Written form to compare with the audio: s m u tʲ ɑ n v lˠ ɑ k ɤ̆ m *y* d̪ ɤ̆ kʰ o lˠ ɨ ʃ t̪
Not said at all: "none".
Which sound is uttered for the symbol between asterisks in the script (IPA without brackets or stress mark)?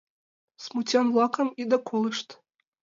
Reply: i